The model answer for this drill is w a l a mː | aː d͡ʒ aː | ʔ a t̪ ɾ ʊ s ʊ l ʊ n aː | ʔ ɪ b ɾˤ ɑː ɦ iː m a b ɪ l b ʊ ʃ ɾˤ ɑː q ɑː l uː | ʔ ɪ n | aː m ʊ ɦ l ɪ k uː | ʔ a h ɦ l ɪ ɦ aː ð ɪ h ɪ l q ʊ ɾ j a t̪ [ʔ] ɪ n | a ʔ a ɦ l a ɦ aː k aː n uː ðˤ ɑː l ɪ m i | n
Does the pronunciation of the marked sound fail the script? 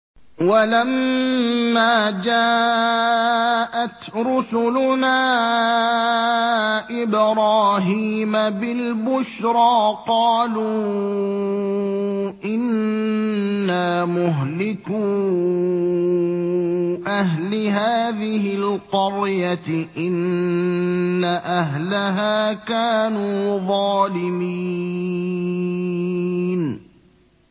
no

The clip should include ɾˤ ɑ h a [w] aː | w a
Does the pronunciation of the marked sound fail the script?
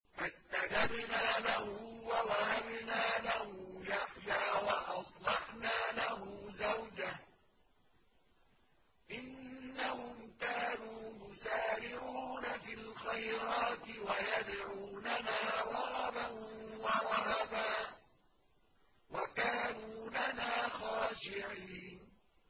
yes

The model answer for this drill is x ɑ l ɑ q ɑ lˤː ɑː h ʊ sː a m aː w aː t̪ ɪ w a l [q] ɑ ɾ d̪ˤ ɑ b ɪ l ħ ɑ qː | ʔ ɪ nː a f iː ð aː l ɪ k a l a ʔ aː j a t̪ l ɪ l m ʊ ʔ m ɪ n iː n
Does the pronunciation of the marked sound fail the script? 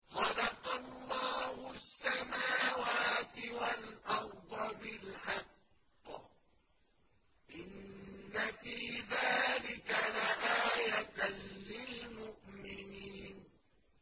yes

